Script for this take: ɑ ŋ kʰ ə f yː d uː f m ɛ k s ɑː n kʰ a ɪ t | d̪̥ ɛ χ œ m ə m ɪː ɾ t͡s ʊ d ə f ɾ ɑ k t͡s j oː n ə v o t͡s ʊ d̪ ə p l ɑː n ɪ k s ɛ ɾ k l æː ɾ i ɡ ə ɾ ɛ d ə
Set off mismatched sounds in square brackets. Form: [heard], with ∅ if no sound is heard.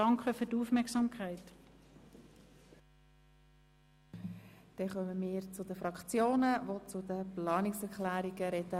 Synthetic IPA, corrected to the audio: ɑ ŋ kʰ ə f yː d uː f m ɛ k s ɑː [m] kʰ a ɪ t | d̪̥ ɛ χ œ m ə m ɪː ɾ t͡s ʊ d ə f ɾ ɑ k t͡s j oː n ə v o t͡s ʊ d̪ ə p l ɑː n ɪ k s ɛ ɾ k l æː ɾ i ɡ ə ɾ ɛ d ə